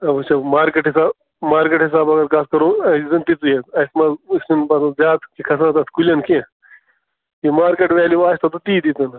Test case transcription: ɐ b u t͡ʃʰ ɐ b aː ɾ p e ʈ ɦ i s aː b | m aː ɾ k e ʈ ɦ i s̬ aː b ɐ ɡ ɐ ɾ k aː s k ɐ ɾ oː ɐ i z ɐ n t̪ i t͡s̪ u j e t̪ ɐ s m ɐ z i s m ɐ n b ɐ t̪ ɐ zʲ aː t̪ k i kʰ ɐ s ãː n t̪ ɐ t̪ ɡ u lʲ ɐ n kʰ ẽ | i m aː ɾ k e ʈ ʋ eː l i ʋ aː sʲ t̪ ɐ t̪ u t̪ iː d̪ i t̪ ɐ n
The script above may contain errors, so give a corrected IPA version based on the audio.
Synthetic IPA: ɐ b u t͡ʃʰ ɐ m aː ɾ k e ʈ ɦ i s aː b | m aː ɾ k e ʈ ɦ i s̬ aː b ɐ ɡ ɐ ɾ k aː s k ɐ ɾ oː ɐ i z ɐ n t̪ i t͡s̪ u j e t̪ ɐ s m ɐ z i s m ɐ n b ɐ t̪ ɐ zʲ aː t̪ k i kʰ ɐ s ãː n t̪ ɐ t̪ k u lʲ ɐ n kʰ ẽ | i m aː ɾ k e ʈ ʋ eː l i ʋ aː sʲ t̪ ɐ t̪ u t̪ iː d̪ i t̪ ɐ n